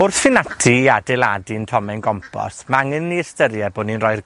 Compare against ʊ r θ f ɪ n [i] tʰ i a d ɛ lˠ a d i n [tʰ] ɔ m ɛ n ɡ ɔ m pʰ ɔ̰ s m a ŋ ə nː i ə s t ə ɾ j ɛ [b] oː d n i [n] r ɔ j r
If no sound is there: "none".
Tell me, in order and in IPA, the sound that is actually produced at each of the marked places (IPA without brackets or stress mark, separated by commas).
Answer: a, tʰ, b, n